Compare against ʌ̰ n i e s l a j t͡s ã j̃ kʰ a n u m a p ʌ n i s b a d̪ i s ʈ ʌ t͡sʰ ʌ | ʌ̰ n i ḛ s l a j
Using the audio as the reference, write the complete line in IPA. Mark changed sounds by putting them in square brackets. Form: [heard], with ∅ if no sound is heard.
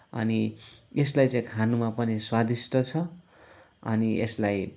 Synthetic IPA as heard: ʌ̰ n i e s l a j t͡s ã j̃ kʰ a n u m a p ʌ n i s [w] a d̪ i s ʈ ʌ t͡sʰ ʌ | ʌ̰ n i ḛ s l a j